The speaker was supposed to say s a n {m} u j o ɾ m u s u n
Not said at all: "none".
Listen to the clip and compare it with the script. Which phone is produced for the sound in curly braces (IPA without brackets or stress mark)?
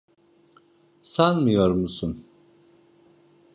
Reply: m